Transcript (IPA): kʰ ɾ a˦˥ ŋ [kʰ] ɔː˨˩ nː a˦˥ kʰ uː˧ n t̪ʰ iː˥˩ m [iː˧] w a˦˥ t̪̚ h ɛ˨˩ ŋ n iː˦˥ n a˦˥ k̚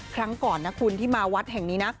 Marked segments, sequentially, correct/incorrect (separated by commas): incorrect, incorrect